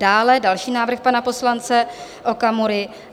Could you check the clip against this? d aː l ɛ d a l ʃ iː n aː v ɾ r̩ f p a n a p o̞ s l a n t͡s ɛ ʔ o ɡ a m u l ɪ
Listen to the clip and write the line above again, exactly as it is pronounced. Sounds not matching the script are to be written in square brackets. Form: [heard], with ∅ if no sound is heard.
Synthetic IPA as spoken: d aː l ɛ d a l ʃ iː n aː v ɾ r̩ [x] p a n a p o̞ s l a n t͡s ɛ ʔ o [k] a m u [ɾ] ɪ